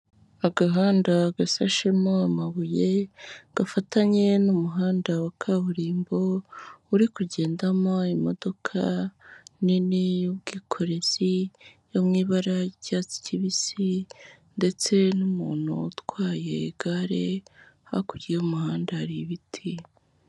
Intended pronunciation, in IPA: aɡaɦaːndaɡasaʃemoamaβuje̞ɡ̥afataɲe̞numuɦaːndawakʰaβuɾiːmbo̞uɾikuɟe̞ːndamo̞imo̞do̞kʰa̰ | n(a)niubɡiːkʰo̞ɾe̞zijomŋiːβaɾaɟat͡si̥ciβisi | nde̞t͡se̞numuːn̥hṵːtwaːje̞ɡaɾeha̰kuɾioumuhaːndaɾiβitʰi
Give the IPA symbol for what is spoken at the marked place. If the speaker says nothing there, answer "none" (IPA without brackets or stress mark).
i